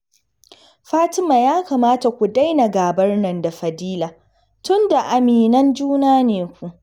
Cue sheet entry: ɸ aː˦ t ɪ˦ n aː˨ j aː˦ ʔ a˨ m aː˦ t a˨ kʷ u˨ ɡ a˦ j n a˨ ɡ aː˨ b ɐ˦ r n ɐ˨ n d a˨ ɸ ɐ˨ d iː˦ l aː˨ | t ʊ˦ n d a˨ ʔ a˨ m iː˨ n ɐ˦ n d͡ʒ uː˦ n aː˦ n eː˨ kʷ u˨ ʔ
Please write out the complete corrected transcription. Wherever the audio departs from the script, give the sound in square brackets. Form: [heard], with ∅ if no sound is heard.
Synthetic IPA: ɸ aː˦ t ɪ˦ [m] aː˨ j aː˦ [k] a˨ m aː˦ t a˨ kʷ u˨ [d] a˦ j n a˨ ɡ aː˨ b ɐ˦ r n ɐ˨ n d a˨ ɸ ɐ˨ d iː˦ l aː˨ | t ʊ˦ n d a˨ ʔ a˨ m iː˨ n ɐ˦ n d͡ʒ uː˦ n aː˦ n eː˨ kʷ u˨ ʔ